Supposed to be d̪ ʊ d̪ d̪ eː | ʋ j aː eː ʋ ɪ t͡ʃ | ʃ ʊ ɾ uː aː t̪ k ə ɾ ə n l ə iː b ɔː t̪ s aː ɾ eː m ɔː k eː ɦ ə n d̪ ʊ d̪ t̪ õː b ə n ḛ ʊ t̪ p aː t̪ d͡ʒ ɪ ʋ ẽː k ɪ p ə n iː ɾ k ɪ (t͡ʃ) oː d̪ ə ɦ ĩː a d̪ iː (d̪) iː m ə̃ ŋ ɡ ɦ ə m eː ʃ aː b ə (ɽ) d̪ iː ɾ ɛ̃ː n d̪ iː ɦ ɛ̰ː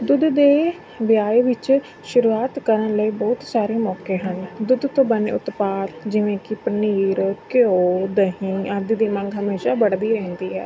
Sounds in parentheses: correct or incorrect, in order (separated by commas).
incorrect, correct, correct